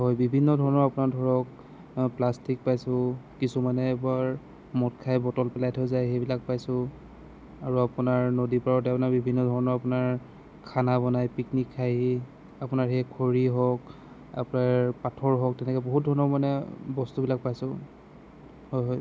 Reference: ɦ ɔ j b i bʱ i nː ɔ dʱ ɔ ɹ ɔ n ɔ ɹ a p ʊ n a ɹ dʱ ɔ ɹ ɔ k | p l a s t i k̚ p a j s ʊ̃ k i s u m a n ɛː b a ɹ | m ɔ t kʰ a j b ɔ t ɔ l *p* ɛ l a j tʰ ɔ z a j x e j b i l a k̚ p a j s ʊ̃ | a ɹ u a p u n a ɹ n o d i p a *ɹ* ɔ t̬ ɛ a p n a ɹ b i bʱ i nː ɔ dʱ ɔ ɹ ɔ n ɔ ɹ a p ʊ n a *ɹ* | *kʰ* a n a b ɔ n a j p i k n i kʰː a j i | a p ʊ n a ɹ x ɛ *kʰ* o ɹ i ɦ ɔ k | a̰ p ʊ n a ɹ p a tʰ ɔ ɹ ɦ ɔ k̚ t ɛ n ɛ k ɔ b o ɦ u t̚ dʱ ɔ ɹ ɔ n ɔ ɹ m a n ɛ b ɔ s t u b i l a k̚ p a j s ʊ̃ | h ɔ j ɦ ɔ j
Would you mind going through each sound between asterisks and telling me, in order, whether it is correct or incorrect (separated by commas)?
correct, correct, correct, correct, correct